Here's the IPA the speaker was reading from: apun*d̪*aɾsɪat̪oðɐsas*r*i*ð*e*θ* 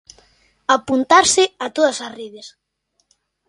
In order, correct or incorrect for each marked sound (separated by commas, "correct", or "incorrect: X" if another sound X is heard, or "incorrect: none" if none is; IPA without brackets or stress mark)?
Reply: incorrect: t̪, correct, correct, incorrect: s